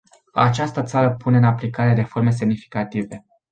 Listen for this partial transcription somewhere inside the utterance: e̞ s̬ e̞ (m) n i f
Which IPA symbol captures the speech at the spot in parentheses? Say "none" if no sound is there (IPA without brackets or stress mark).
m